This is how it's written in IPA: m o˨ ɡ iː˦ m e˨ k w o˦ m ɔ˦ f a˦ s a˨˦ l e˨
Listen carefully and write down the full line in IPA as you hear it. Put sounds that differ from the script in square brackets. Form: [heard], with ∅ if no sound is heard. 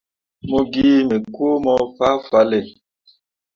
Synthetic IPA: m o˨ ɡ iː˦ m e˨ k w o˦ m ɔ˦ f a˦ [f] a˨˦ l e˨